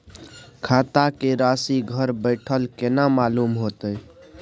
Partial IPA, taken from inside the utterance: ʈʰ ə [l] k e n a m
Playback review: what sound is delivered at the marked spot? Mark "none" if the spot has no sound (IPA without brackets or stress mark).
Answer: l